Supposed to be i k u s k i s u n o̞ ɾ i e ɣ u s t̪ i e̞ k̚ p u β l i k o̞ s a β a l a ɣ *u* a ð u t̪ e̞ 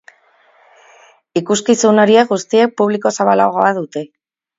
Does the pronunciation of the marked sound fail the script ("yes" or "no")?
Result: yes